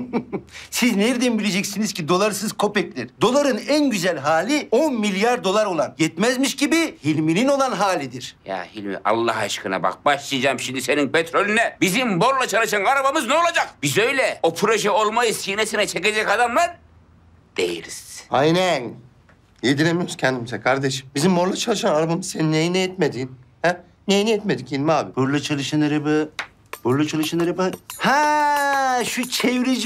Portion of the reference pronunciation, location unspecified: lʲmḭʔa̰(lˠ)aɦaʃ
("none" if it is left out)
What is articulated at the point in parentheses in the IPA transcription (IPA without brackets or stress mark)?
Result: lˠː